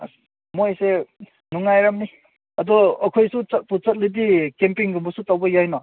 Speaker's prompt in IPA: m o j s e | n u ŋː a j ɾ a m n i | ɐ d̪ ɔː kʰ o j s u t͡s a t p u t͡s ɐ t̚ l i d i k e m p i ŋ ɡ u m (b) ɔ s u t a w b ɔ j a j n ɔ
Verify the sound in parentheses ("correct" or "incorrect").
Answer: correct